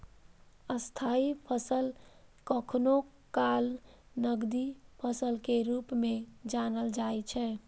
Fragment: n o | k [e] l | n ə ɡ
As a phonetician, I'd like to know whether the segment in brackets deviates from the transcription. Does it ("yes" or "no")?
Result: yes